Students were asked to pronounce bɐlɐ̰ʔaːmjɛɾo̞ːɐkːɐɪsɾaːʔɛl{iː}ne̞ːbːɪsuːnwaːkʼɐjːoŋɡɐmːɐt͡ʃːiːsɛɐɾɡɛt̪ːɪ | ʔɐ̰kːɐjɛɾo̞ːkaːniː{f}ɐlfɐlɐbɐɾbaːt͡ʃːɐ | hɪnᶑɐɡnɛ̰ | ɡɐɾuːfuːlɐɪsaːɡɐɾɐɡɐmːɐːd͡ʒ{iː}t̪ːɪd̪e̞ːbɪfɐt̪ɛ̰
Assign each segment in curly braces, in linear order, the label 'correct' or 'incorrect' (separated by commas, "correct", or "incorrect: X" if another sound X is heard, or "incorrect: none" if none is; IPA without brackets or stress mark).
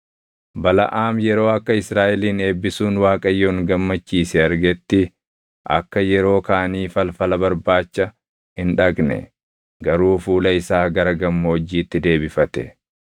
correct, correct, correct